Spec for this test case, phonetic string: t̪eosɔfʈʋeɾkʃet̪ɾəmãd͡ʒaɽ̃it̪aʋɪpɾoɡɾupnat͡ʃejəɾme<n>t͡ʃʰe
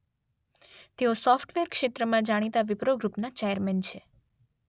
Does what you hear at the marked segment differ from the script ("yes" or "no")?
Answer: no